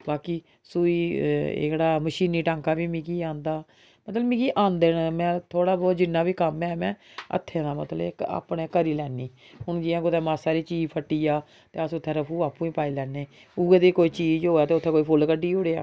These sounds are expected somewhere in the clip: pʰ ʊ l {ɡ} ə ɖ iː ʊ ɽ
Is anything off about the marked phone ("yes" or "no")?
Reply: yes